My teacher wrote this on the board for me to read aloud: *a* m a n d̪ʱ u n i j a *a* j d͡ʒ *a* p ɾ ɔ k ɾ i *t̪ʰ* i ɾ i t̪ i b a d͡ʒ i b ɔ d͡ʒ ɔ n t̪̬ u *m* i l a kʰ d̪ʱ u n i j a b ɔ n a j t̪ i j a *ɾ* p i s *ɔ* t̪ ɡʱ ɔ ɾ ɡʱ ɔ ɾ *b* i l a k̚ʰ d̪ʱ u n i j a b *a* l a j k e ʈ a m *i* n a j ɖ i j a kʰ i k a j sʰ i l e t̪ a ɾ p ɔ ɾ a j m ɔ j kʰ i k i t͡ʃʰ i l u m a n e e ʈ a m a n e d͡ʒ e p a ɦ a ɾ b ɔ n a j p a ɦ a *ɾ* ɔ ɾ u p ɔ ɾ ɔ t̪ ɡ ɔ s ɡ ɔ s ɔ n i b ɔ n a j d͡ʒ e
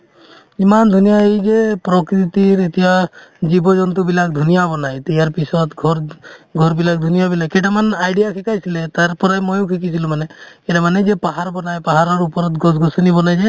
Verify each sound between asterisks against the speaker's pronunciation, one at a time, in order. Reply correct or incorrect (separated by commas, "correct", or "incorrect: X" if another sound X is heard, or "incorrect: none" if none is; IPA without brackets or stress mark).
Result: incorrect: i, incorrect: e, incorrect: e, incorrect: t̪, incorrect: b, correct, correct, correct, incorrect: i, incorrect: a, correct